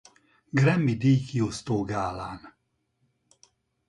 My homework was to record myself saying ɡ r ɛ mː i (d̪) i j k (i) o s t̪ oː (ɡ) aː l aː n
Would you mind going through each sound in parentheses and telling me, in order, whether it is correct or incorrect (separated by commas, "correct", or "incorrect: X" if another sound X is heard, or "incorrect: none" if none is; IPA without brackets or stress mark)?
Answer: correct, correct, correct